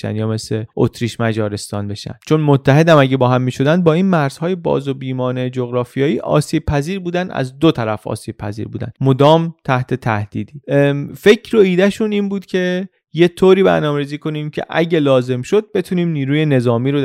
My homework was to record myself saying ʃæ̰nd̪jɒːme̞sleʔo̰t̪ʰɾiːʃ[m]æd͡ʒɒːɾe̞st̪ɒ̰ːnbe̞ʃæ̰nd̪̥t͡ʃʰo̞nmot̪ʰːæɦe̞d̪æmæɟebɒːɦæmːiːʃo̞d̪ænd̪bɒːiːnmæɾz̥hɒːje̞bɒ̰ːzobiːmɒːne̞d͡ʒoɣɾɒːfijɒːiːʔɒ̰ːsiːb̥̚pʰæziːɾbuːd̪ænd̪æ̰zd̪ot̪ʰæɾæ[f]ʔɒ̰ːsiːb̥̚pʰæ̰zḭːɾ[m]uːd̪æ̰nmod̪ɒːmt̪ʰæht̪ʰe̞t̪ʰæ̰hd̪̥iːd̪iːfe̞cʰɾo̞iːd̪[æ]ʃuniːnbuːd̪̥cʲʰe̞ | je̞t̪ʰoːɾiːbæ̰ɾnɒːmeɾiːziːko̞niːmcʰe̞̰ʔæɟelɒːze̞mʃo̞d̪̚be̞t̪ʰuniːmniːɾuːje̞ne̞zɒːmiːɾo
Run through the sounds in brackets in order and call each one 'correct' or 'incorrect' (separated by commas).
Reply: correct, correct, incorrect, correct